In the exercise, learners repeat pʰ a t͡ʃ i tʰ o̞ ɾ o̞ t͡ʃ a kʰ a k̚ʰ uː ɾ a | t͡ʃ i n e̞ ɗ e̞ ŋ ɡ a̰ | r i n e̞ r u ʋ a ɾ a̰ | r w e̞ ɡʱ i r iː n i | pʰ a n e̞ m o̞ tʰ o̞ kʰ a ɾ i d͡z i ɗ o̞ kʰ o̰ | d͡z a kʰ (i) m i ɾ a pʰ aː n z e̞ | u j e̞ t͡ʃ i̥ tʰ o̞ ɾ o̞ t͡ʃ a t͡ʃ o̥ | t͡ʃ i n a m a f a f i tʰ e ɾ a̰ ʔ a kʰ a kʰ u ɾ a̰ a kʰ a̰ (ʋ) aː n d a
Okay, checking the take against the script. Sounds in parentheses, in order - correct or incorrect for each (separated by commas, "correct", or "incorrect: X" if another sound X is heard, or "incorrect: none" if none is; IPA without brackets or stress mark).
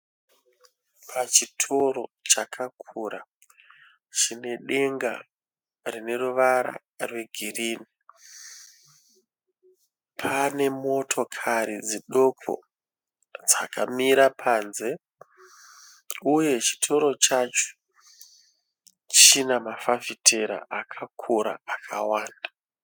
incorrect: a, incorrect: w